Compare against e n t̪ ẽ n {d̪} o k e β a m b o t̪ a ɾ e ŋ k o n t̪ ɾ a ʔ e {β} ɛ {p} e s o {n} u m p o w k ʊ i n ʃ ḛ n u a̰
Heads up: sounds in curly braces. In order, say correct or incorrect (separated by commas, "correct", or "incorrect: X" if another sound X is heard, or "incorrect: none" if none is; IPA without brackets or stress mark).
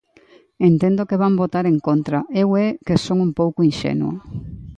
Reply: correct, incorrect: w, incorrect: k, incorrect: ŋ